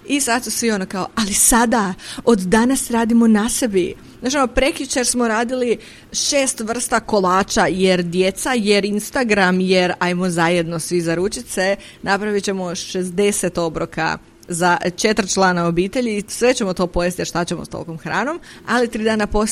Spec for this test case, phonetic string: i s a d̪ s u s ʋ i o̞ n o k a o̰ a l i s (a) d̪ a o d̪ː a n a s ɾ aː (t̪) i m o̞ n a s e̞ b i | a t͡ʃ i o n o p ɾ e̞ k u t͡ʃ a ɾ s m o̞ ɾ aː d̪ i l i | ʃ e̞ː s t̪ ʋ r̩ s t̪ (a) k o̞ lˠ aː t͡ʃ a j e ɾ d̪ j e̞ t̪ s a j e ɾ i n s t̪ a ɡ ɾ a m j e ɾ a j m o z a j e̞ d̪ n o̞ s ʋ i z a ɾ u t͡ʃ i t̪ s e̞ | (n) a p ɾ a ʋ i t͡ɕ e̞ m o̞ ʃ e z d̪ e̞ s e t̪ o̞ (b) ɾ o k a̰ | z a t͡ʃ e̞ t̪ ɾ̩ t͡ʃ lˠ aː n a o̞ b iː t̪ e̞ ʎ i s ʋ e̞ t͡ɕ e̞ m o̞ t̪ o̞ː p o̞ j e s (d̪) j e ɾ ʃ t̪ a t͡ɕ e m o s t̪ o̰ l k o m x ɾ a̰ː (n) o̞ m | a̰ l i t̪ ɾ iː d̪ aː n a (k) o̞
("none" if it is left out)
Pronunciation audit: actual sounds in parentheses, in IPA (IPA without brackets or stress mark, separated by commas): a, d̪, a, n, b, t̪, n, p